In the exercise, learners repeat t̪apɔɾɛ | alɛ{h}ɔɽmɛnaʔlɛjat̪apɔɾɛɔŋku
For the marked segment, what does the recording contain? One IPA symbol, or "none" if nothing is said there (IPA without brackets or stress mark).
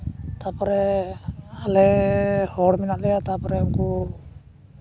h